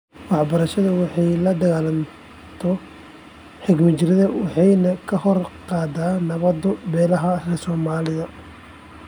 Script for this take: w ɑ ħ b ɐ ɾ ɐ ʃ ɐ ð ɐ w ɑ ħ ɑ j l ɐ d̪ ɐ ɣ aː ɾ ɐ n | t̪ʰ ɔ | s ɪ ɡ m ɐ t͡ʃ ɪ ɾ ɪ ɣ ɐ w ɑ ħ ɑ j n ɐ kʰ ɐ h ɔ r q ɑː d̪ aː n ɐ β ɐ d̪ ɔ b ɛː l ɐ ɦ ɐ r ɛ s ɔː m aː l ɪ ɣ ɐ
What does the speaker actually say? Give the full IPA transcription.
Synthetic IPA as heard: w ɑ ħ b ɐ ɾ ɐ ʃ ɐ ð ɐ w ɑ ħ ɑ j l ɐ d̪ ɐ ɣ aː l ɐ n | t̪ʰ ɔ | ħ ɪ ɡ m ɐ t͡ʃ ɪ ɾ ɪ ð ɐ w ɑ ħ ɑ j n ɐ kʰ ɐ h ɔ r q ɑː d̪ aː n ɐ β ɐ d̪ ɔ b ɛː l ɐ ɦ ɐ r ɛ s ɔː m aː l ɪ ð ɐ